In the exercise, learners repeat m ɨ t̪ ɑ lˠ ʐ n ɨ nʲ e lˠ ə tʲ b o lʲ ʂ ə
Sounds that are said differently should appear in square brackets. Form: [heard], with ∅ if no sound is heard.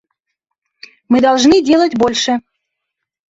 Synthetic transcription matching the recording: m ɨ [d̪] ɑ lˠ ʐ n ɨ [dʲ] e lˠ ə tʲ b o lʲ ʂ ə